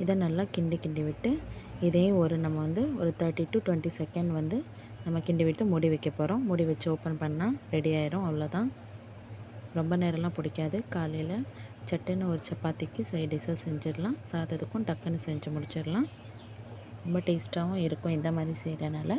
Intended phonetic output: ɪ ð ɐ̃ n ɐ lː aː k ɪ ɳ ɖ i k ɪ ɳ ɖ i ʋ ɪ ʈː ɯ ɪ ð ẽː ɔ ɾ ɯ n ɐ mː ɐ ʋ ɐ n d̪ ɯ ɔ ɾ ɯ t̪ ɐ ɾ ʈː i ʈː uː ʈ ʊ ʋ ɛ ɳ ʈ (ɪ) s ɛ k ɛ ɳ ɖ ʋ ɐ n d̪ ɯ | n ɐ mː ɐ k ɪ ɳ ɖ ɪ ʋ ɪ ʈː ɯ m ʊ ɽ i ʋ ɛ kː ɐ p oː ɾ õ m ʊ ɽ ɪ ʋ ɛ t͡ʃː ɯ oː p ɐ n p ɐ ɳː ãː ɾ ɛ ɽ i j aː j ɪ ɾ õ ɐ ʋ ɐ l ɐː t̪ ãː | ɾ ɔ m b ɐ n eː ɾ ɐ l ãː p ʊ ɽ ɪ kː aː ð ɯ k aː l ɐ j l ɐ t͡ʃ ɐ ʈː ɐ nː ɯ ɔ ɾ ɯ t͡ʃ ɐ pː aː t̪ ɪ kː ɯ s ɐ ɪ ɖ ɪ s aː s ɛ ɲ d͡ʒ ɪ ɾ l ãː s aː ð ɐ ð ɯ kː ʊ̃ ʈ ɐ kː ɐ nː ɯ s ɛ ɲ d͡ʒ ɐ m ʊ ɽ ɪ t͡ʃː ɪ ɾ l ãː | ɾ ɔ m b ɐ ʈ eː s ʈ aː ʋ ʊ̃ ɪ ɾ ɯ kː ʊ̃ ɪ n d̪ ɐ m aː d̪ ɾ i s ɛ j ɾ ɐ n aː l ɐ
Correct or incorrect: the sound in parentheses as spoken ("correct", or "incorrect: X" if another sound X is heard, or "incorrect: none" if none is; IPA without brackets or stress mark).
incorrect: i